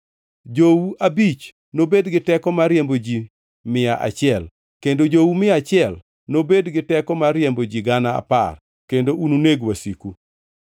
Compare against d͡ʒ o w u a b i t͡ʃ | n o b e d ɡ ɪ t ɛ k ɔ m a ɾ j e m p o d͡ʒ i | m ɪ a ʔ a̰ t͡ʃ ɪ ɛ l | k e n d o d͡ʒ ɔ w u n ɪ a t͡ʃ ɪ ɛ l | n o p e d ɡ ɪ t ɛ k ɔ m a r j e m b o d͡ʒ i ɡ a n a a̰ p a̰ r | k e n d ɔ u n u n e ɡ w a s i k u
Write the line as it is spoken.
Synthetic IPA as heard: d͡ʒ o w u a b i t͡ʃ | n o b e d ɡ ɪ t ɛ k ɔ m a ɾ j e m b o d͡ʒ i | m ɪ a ʔ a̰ t͡ʃ ɪ ɛ l | k e n d o d͡ʒ o w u m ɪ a t͡ʃ ɪ ɛ l | n o b e d ɡ ɪ t ɛ k ɔ m a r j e m b o d͡ʒ i ɡ a n a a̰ p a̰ r | k e n d o u n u n e ɡ w a s i k u